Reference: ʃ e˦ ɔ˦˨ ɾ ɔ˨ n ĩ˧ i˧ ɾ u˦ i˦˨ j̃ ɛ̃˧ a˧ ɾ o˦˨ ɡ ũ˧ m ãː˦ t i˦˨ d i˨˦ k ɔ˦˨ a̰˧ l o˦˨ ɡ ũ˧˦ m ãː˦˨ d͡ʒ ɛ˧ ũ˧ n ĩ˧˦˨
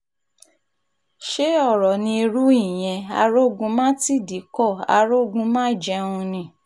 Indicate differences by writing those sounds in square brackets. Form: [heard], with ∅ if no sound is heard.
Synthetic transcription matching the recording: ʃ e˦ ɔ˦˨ ɾ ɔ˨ n ĩ˧ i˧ ɾ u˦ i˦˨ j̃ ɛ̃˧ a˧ ɾ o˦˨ ɡ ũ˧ m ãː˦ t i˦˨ d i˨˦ k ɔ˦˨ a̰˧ [ɾ] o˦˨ ɡ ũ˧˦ m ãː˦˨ d͡ʒ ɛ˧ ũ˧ n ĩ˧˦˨